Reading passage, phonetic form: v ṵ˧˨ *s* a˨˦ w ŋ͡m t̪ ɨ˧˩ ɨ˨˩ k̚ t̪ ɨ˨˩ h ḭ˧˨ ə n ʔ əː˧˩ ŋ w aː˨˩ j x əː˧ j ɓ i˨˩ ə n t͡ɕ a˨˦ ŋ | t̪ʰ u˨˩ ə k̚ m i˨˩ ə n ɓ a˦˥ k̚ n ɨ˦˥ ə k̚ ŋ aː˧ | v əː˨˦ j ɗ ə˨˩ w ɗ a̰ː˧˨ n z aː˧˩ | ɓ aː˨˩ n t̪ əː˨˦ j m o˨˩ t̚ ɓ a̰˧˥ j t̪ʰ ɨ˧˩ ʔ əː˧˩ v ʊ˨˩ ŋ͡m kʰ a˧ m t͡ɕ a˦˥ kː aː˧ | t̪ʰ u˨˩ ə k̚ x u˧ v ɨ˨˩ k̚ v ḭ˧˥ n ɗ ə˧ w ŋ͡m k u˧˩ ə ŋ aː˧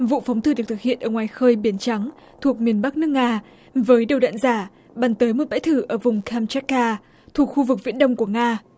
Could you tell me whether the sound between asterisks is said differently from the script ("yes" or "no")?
yes